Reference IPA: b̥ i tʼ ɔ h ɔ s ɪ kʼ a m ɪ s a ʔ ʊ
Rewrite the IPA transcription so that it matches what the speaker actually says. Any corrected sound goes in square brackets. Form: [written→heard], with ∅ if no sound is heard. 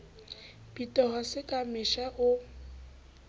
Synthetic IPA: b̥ i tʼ ɔ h ɔ s ɪ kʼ a m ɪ [s→ʃ] a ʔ ʊ